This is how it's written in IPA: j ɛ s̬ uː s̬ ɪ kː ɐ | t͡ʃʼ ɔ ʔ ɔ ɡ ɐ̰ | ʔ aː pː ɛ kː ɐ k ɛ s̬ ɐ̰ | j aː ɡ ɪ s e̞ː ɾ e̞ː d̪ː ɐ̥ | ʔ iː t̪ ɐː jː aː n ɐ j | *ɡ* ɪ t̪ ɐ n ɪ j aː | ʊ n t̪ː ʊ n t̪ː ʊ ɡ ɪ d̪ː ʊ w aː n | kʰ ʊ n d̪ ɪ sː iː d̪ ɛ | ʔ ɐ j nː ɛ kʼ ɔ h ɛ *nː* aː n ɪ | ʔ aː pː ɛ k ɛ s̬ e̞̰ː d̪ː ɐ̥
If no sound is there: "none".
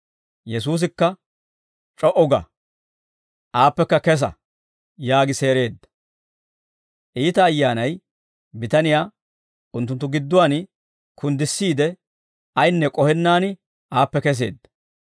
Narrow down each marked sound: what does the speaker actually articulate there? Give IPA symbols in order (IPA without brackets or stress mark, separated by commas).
b, nː